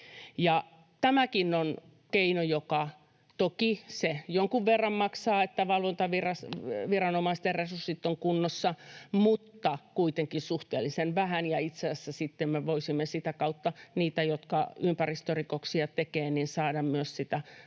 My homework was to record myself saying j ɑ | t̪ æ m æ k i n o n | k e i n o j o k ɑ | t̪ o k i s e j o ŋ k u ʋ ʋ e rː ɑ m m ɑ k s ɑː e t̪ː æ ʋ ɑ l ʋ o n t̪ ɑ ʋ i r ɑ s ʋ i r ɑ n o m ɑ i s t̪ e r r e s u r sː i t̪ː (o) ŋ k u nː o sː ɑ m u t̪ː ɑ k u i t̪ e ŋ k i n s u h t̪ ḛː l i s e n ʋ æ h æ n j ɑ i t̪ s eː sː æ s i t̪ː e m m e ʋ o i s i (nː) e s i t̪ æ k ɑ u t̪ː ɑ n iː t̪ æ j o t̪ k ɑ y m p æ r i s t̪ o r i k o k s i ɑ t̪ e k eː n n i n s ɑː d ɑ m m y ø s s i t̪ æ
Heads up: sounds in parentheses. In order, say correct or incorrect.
correct, incorrect

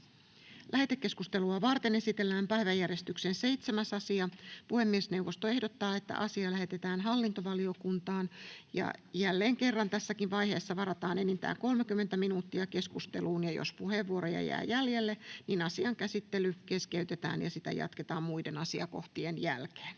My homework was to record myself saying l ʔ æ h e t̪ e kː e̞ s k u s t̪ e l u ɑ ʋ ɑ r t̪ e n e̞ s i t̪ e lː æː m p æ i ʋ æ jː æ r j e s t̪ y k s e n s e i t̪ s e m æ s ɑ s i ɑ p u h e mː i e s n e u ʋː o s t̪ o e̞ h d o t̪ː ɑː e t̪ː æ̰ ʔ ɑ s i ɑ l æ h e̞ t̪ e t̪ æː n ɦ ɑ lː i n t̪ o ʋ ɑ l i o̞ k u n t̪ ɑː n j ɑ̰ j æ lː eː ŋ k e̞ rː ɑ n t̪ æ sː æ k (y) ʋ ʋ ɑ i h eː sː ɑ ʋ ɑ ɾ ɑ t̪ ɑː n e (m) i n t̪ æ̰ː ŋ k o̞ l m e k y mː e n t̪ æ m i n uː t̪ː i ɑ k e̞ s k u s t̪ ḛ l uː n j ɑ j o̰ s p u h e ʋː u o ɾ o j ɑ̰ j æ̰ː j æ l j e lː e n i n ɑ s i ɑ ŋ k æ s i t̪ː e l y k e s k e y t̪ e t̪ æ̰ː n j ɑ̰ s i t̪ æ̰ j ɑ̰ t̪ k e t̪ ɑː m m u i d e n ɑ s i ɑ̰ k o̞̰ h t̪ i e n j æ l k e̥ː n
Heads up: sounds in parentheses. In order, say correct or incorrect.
incorrect, incorrect

